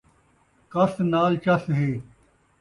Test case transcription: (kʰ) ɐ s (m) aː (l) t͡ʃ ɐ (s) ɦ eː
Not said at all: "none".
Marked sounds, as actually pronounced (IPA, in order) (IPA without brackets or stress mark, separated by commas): k, n, l, s